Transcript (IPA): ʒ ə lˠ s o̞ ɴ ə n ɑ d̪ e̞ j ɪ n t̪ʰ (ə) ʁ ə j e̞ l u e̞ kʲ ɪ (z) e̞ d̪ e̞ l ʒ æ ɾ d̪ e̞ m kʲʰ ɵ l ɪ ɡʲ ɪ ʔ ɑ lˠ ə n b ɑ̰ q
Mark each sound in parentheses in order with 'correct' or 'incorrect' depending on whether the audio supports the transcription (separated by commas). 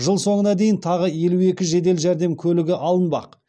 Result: incorrect, incorrect